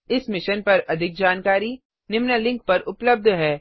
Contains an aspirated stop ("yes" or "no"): no